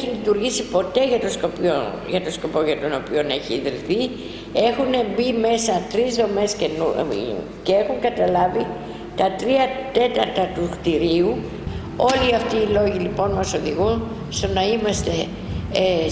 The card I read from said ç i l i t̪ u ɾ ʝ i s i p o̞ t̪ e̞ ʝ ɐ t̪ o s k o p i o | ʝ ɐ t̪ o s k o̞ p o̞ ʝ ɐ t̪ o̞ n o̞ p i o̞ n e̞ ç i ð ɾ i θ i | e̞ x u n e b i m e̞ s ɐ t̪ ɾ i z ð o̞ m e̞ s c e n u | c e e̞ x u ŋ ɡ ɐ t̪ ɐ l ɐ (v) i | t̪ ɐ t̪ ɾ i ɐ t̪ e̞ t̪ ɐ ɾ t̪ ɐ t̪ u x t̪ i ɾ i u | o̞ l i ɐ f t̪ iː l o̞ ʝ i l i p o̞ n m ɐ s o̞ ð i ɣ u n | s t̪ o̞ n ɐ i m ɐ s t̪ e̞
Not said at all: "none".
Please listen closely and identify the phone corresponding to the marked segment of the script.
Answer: v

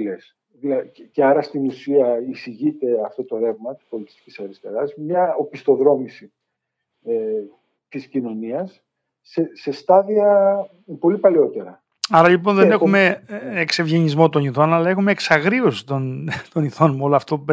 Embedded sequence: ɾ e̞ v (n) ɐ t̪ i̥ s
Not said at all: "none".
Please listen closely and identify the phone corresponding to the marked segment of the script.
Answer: m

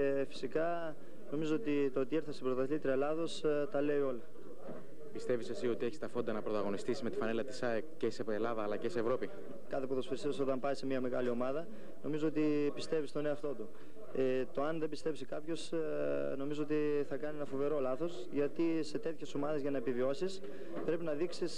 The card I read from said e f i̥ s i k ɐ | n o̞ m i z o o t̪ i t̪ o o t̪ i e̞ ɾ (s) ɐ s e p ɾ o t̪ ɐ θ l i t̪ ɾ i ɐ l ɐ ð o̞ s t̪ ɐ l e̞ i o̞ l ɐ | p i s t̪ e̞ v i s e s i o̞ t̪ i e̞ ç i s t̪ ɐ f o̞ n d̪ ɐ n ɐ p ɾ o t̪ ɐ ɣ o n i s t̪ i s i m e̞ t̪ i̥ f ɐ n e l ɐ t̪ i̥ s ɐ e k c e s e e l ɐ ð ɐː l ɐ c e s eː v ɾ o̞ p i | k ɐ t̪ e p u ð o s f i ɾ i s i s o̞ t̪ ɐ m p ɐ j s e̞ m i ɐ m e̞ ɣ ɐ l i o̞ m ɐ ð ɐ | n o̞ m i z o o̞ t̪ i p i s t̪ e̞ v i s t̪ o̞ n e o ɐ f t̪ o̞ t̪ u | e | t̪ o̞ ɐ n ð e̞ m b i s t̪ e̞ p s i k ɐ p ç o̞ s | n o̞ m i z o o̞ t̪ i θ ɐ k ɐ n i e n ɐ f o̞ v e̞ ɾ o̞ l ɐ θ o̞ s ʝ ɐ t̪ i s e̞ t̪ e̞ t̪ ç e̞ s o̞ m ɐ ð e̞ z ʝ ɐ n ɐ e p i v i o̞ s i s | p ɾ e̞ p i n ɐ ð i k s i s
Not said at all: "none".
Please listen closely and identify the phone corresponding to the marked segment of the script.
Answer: θ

